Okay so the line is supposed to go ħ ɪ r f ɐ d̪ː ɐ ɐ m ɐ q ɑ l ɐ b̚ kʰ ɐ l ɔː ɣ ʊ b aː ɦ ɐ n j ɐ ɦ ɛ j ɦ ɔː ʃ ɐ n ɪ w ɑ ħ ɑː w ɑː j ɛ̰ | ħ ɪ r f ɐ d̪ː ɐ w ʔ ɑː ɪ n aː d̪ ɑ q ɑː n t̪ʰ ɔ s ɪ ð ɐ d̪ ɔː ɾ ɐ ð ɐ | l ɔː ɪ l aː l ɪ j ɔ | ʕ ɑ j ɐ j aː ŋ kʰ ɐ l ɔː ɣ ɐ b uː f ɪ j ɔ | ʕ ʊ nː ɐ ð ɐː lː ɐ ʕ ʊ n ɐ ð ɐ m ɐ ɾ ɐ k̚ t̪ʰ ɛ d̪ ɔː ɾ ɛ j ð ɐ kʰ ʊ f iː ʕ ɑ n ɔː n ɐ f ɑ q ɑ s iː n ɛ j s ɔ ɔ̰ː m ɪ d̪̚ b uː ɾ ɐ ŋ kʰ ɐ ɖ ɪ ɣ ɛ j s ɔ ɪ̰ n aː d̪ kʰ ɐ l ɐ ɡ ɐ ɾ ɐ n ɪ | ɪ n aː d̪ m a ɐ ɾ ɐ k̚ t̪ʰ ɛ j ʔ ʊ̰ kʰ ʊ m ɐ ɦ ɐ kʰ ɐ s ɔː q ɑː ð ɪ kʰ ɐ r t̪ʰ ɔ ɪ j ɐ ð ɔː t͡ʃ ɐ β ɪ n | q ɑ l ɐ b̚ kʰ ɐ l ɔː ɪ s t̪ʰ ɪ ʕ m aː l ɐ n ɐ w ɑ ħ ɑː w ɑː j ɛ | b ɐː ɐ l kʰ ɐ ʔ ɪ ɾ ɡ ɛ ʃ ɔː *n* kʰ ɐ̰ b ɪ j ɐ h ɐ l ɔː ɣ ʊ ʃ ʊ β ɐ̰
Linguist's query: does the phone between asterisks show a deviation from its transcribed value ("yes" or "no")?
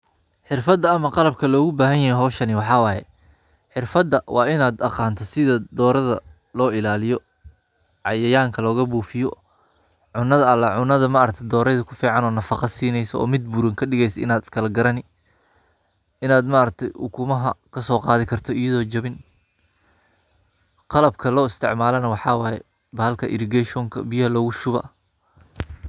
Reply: yes